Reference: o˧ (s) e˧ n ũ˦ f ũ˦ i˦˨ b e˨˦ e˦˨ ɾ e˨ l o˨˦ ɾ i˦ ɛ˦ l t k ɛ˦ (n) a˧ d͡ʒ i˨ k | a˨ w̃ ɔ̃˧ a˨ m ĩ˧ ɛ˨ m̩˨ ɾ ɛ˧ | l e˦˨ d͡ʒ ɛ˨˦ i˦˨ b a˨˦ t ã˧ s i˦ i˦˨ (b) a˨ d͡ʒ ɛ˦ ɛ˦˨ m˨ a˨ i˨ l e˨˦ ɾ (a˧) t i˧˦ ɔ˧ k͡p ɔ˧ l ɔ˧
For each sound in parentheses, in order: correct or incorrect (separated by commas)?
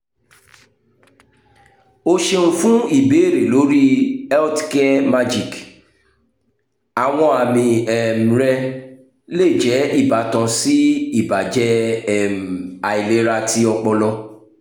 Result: incorrect, incorrect, correct, correct